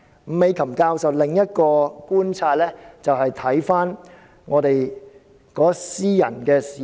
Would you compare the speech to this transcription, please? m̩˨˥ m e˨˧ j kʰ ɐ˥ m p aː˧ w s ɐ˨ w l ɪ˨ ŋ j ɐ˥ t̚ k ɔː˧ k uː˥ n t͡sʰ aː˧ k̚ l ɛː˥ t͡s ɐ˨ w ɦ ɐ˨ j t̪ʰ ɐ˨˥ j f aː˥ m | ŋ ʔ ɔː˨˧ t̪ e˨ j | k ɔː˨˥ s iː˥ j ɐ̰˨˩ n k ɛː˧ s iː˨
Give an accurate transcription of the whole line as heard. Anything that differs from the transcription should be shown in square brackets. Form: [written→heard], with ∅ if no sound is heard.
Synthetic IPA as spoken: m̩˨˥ m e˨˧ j kʰ [ɐ˥→ɐ˨˩] m [p→k] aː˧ w s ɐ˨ w l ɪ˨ ŋ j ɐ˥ t̚ k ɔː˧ k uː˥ n t͡sʰ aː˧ [k̚→t̚] l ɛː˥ t͡s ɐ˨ w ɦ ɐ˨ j t̪ʰ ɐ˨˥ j f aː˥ [m→n] | ŋ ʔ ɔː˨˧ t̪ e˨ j | k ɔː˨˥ s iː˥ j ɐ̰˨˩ n k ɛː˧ s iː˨